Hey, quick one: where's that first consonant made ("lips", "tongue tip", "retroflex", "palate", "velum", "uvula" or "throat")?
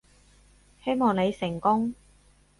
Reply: throat